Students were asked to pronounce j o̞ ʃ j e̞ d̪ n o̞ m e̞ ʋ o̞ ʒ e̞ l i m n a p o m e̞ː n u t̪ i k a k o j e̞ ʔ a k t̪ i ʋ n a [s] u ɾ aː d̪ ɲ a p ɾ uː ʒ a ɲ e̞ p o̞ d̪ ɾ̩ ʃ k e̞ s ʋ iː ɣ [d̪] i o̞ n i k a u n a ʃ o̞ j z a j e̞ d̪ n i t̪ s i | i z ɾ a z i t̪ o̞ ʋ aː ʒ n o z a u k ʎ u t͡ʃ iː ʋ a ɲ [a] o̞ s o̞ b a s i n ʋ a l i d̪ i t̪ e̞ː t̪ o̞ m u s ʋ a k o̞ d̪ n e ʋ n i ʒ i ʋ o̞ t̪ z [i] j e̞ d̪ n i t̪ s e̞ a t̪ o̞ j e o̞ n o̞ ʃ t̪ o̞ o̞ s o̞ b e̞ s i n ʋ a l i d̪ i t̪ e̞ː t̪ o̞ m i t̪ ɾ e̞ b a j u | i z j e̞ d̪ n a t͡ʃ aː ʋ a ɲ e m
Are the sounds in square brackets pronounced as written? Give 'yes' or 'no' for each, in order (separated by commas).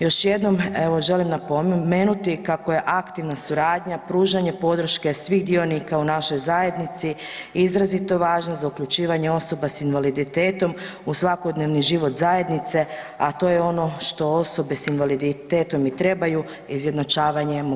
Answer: yes, yes, no, no